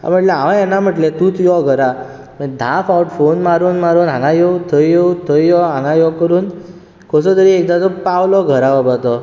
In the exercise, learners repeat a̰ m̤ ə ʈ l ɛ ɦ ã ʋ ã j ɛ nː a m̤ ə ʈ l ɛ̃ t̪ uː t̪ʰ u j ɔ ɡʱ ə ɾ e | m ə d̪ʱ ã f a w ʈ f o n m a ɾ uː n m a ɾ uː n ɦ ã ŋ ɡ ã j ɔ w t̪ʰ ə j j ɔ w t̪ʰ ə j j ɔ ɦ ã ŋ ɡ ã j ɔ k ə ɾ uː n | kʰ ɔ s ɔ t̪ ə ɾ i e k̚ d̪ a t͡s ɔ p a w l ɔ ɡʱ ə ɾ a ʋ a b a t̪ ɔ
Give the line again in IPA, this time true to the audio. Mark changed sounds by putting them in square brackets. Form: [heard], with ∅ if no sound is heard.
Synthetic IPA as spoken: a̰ m̤ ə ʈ l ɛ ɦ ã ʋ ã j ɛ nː a m̤ ə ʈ l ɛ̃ t̪ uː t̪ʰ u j ɔ ɡʱ ə ɾ [a] | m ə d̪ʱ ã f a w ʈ f o n m a ɾ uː n m a ɾ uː n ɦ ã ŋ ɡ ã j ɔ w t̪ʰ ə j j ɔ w t̪ʰ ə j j ɔ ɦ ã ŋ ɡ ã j ɔ k ə ɾ uː n | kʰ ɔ s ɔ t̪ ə ɾ i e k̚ d̪ a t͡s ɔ p a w l ɔ ɡʱ ə ɾ a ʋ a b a t̪ ɔ

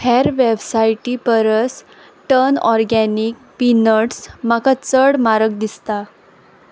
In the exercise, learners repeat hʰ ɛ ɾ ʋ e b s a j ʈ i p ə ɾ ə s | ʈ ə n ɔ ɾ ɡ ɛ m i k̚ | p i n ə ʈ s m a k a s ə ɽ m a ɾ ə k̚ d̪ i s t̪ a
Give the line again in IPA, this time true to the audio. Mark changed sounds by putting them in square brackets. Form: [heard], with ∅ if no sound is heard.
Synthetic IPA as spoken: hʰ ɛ ɾ ʋ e b s a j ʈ i p ə ɾ ə s | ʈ ə n ɔ ɾ ɡ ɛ [n] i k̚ | p i n ə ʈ s m a k a [t͡s] ə ɽ m a ɾ ə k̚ d̪ i s t̪ a

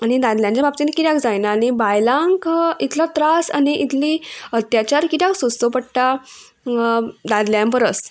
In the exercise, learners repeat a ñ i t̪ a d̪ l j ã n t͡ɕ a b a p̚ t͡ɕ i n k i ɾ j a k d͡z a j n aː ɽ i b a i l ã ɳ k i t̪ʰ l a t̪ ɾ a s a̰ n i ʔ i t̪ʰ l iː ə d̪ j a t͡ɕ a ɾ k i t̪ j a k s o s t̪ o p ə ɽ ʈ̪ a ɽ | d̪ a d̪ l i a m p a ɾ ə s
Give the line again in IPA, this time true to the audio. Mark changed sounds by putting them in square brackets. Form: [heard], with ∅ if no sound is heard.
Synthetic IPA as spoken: a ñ i [d̪] a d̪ l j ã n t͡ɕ a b a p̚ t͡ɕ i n k i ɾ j a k d͡z a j n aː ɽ i b a [j] l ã [ŋ] k i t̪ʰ l a t̪ ɾ a s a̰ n i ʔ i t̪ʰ l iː ə [t̪] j a t͡ɕ a ɾ k i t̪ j a k s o s t̪ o p ə ɽ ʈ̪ a [∅] | d̪ a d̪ l [j] a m p [ə] ɾ ə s

